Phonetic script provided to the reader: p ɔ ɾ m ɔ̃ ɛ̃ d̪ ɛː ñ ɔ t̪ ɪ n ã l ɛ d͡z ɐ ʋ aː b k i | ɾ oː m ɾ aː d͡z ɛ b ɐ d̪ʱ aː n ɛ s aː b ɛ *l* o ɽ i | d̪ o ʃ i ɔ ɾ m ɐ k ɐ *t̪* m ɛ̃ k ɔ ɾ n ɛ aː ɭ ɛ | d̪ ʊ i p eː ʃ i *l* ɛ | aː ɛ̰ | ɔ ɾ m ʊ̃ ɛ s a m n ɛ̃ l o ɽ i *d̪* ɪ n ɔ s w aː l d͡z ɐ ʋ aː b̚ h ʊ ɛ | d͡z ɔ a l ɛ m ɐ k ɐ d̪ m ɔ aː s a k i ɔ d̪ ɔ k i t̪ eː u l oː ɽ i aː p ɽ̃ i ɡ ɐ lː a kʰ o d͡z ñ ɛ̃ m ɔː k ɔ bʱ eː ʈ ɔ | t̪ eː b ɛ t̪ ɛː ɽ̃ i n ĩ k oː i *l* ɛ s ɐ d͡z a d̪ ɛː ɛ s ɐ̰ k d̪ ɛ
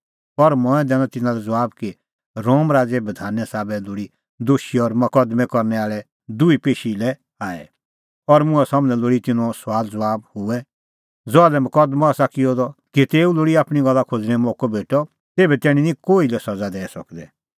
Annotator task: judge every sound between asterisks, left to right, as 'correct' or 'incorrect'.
correct, incorrect, correct, incorrect, correct

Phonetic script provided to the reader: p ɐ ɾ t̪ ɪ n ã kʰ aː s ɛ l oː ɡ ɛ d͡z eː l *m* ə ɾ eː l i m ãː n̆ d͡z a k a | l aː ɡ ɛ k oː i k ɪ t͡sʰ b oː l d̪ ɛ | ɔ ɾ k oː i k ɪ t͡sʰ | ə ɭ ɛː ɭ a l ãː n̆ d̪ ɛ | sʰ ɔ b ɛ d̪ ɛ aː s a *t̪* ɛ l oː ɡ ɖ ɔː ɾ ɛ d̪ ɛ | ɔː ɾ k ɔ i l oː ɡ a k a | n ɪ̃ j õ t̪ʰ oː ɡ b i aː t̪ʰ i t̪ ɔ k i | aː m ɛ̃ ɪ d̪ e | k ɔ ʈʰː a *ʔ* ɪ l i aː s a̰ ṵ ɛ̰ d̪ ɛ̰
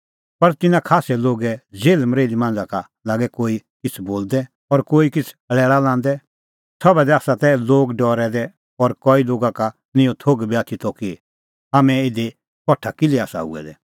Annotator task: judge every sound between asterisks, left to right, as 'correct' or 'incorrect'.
correct, correct, incorrect

